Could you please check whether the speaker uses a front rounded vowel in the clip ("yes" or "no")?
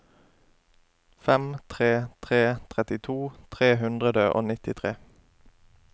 no